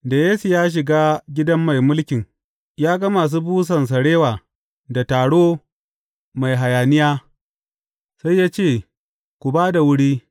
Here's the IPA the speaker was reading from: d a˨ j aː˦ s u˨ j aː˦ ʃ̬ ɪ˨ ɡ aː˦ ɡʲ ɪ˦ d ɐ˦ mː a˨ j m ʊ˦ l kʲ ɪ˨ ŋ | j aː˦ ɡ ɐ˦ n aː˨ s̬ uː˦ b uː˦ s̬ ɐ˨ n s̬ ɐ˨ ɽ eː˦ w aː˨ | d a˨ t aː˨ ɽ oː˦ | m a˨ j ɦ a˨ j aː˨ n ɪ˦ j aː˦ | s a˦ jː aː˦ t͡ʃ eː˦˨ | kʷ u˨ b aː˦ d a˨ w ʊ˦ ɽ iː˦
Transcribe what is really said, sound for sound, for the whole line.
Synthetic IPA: d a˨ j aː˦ s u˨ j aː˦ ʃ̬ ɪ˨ ɡ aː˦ ɡʲ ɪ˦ d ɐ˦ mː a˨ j m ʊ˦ l kʲ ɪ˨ ŋ | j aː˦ ɡ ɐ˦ m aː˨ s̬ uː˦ b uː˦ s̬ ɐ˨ n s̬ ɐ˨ ɽ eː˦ w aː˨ | d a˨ t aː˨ ɽ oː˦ | m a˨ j ɦ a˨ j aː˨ n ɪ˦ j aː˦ | s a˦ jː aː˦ t͡ʃ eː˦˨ | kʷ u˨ b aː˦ d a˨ w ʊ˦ ɽ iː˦